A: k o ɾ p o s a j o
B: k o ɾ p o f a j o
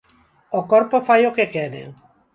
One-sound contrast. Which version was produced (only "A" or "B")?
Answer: B